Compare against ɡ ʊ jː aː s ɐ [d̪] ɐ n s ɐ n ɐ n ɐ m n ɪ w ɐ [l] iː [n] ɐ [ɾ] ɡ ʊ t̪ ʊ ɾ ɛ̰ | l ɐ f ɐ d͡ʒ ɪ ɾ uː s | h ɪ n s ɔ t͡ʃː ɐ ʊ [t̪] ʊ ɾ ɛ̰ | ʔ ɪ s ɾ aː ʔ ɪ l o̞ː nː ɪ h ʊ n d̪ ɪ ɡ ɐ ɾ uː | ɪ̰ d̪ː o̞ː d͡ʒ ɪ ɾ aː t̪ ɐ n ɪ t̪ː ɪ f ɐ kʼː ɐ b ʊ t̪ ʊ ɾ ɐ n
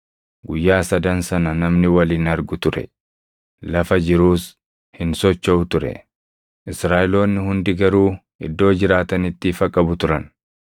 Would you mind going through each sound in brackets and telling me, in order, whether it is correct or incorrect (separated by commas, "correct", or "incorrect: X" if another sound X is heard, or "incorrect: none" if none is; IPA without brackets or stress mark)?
correct, correct, correct, correct, correct